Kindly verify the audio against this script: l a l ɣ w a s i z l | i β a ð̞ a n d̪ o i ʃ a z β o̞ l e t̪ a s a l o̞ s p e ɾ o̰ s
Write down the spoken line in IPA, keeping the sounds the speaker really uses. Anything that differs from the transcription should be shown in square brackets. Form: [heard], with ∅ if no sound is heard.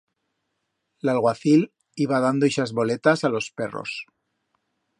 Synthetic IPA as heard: l a l ɣ w a [θ] i [∅] l | i β a ð̞ a n d̪ o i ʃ a z β o̞ l e t̪ a s a l o̞ s p e [r] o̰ s

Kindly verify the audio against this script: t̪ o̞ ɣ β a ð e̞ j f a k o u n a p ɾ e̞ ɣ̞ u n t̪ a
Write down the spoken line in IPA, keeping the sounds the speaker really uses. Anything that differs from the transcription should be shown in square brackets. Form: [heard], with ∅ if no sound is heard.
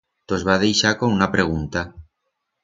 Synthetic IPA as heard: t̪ o̞ [z] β a ð e̞ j [ʃ] a k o u n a p ɾ e̞ ɣ̞ u n t̪ a

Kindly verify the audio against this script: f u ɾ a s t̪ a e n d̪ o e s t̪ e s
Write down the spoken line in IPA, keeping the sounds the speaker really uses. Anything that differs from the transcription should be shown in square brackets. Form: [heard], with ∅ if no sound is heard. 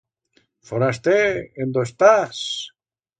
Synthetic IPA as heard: f [o] ɾ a s t̪ [e] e n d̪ o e s t̪ [a] s

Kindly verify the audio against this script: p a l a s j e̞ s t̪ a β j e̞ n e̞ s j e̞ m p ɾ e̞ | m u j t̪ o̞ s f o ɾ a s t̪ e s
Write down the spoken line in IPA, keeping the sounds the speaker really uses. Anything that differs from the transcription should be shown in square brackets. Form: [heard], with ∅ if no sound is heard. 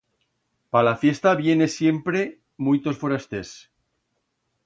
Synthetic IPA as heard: p a l a [f] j e̞ s t̪ a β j e̞ n e̞ s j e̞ m p ɾ e̞ | m u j t̪ o̞ s f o ɾ a s t̪ e s

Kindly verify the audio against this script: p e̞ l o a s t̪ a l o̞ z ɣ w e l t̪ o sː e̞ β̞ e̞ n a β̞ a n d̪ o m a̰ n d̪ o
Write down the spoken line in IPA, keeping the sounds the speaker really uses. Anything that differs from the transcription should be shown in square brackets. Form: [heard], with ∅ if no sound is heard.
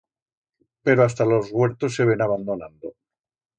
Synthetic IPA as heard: p e̞ [ɾ] o a s t̪ a l o̞ z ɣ w e [ɾ] t̪ o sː e̞ β̞ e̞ n a β̞ a n d̪ o [n] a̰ n d̪ o

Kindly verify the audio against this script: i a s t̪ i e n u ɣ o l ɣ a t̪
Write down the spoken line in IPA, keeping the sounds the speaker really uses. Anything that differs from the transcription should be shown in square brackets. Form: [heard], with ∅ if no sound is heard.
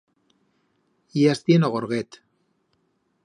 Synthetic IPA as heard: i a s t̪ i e n [o] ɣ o [ɾ] ɣ [e] t̪

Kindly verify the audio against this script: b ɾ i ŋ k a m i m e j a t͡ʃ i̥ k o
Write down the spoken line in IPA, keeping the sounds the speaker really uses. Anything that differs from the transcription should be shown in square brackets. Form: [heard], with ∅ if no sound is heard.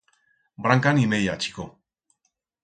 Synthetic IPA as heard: b ɾ [a] ŋ k a [n] i m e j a t͡ʃ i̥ k o

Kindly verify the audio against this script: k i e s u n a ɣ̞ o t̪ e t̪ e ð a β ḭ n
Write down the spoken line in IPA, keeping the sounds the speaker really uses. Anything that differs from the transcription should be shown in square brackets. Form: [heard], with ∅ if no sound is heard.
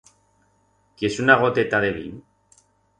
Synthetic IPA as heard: k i e s u n a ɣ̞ o t̪ e t̪ [a] ð [e] β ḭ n

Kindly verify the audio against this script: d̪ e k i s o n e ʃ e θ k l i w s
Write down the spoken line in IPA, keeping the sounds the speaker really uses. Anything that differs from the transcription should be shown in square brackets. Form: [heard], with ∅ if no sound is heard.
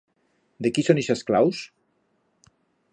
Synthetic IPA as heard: d̪ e k i s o n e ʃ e [s] k l [a] w s

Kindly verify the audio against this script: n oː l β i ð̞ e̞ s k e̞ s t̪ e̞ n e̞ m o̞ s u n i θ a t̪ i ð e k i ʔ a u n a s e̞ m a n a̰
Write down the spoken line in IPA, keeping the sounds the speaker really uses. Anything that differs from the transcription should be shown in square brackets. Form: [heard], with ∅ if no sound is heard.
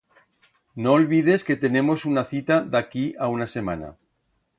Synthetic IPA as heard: n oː l β i ð̞ e̞ s k e̞ [∅] t̪ e̞ n e̞ m o̞ s u n [a] θ [i] t̪ [a] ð [a] k i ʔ a u n a s e̞ m a n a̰

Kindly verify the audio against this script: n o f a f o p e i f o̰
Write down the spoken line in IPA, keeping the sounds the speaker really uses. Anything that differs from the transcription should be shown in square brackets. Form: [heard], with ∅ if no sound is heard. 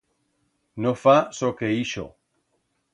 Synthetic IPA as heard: n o f a [s] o [k] e i [ʃ] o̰

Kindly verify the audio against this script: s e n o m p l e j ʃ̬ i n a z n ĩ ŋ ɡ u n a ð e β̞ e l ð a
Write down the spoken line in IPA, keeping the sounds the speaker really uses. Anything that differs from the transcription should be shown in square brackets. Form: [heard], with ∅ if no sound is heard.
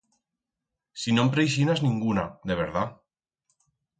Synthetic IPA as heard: s [i] n o m p [ɾ] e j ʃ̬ i n a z n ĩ ŋ ɡ u n a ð e β̞ e [ɾ] ð a

